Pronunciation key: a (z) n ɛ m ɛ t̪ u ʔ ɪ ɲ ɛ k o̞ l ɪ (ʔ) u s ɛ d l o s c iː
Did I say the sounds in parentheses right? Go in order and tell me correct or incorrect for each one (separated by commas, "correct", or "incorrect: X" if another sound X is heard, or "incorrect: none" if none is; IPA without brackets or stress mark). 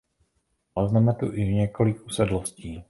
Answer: correct, incorrect: k